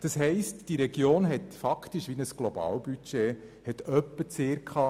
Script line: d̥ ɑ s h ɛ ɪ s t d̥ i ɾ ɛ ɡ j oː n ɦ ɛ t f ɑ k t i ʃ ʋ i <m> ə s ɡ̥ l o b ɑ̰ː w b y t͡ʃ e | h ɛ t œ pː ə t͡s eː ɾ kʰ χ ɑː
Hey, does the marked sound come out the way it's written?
no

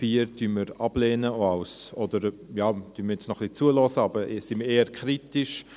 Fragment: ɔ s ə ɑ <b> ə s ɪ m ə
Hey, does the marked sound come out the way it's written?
yes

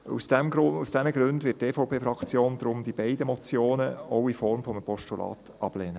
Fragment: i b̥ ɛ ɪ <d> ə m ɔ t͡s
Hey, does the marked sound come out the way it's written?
yes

